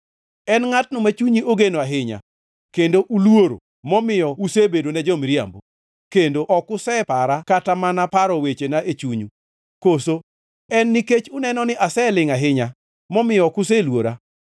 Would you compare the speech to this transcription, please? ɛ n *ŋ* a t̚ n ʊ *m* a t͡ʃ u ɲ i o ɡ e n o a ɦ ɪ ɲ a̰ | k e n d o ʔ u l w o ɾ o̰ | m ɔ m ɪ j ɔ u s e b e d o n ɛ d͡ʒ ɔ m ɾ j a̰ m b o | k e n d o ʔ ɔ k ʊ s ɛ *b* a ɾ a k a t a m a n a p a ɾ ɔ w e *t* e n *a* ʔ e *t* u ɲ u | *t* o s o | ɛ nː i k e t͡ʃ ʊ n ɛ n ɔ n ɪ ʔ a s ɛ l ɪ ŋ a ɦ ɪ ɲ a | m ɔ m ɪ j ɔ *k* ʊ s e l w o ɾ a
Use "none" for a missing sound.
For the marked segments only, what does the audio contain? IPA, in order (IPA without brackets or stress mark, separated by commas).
ŋ, m, p, t͡ʃ, a, t͡ʃ, k, k